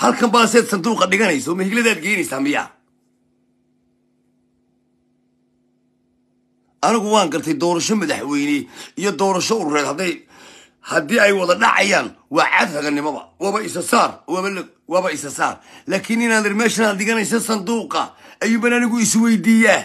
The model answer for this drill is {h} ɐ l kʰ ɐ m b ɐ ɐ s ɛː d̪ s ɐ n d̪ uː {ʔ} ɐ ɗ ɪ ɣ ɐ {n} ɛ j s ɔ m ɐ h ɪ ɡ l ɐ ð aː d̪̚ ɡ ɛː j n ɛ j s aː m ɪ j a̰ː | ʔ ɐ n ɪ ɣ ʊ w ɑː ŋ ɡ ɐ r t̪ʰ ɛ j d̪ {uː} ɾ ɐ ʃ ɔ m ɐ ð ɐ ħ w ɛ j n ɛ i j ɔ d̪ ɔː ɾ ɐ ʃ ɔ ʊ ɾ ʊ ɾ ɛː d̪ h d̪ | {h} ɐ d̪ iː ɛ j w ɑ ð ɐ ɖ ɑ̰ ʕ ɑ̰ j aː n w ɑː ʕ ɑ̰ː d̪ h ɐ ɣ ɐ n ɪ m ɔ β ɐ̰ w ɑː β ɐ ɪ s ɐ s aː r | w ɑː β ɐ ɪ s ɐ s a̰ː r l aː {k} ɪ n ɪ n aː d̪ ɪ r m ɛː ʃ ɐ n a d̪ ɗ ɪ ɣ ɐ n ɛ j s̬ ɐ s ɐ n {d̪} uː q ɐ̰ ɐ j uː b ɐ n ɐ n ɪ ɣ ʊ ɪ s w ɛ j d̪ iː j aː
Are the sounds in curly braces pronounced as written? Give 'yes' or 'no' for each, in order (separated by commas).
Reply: yes, no, yes, no, yes, no, yes